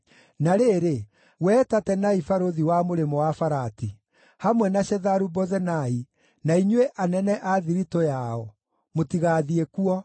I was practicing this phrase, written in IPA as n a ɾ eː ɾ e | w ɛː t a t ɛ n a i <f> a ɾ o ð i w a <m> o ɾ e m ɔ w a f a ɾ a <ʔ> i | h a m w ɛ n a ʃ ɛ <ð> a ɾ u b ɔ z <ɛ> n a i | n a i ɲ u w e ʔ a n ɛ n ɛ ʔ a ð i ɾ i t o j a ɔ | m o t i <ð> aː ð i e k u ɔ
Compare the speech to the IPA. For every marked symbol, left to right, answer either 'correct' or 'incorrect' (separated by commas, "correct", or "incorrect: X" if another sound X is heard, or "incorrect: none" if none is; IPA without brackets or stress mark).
correct, correct, incorrect: t, correct, correct, incorrect: ɣ